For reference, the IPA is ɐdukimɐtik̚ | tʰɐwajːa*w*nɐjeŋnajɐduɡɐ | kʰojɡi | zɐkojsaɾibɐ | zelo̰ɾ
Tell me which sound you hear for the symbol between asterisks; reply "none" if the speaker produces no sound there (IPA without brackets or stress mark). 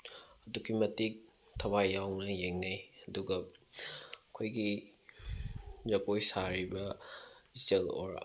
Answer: w